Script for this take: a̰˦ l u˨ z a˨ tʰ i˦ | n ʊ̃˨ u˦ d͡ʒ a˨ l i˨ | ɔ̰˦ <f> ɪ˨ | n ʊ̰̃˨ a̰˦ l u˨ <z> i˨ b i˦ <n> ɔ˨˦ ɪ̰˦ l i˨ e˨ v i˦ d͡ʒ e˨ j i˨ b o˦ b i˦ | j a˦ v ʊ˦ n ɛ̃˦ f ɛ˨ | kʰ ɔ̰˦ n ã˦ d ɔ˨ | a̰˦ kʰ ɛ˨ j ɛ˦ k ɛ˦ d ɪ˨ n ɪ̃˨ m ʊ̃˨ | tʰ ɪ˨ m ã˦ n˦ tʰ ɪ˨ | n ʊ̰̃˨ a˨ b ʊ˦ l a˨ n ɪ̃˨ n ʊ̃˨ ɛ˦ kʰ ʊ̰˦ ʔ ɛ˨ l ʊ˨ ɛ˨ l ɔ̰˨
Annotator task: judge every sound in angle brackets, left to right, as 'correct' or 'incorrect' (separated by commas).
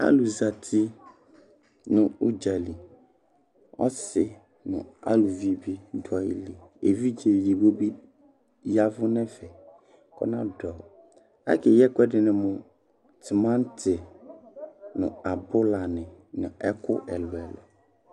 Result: incorrect, incorrect, incorrect